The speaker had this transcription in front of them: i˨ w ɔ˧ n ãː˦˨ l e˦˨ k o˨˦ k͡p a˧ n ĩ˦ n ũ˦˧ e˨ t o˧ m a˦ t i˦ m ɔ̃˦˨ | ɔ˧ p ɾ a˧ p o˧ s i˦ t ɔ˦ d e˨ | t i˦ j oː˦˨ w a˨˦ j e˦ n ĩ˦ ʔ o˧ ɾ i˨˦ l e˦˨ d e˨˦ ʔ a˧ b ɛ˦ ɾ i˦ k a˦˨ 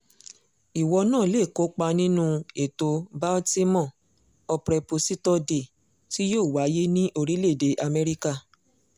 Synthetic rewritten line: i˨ w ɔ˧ n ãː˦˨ l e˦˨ k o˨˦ k͡p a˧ n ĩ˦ n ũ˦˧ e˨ t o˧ b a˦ t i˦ m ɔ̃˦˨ | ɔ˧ p ɾ ɛ˧ p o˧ s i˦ t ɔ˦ d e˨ | t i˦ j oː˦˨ w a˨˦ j e˦ n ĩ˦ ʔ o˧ ɾ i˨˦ l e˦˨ d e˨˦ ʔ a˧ m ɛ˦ ɾ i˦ k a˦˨